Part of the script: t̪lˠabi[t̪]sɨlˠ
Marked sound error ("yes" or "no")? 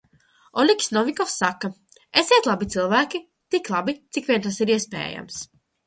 no